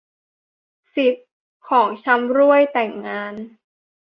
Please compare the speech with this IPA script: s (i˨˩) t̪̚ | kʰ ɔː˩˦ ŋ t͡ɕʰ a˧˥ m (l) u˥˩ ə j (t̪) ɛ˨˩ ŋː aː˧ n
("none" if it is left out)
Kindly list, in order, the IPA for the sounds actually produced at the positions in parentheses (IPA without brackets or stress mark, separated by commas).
i˨˩, ɾ, t̪